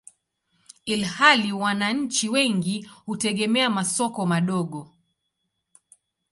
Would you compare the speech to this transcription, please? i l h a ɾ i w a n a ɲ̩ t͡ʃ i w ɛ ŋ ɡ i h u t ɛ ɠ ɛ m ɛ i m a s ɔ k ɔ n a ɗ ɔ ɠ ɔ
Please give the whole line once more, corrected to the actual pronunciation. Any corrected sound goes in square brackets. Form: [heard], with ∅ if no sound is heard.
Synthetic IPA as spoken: i l h a [l] i w a n a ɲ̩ t͡ʃ i w ɛ ŋ ɡ i h u t ɛ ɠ ɛ m ɛ [a] m a s ɔ k ɔ [m] a ɗ ɔ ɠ ɔ